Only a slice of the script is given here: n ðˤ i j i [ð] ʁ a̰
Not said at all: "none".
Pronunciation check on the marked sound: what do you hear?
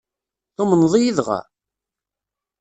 ð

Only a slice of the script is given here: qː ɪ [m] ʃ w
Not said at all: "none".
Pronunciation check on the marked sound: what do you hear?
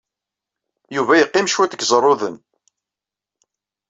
m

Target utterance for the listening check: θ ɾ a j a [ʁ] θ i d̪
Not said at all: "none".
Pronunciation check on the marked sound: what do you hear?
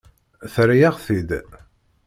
ʁ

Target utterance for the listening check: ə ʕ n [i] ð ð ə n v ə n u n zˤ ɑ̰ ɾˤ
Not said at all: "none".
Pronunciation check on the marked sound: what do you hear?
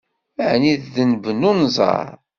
i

